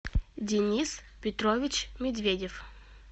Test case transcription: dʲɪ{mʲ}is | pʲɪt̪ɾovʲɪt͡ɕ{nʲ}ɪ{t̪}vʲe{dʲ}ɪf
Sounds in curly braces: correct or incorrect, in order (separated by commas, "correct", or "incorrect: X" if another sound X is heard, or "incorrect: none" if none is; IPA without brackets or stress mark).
incorrect: nʲ, incorrect: mʲ, incorrect: d̪, correct